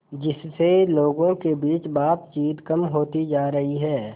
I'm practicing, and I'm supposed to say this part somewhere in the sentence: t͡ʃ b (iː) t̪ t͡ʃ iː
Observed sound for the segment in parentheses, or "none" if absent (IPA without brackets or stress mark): aː